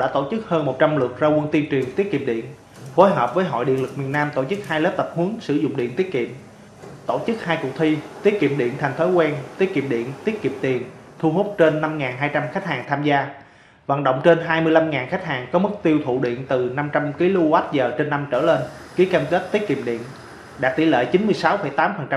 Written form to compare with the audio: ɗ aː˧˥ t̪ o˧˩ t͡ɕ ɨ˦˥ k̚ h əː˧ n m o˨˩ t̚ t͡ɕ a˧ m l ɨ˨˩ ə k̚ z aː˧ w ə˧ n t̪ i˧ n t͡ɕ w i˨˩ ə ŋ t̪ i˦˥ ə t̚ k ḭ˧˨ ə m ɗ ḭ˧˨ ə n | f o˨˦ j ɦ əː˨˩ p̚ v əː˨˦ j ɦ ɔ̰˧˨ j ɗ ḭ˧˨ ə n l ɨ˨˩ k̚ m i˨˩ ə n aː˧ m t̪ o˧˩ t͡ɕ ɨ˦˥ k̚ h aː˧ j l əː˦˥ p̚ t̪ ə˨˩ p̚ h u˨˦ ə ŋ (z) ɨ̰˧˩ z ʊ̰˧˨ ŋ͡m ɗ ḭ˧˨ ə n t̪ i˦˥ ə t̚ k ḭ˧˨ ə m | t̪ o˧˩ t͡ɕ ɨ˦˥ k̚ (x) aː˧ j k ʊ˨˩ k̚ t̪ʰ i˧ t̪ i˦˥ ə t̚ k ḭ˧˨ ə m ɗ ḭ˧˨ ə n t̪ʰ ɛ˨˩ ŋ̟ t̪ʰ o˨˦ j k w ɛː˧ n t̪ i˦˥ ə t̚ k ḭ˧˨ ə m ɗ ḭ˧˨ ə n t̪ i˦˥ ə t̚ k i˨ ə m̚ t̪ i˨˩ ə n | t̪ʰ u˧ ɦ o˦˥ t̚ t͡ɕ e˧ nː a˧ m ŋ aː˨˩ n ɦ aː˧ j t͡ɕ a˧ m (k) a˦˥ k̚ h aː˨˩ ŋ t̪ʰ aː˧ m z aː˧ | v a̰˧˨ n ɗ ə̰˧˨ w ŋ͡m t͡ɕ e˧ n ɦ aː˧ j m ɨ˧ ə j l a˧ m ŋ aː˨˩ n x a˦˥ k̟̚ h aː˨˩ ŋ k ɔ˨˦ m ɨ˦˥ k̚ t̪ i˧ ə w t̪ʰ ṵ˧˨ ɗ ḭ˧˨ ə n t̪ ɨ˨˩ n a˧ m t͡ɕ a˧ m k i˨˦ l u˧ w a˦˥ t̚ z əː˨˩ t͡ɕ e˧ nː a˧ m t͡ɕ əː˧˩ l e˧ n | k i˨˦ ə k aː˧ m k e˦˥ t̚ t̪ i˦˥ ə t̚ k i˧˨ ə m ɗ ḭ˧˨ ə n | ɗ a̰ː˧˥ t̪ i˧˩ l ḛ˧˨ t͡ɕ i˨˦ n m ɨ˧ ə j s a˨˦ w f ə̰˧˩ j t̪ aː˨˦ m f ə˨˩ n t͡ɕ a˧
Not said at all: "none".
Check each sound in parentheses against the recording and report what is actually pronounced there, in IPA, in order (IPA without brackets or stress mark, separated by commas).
s, h, x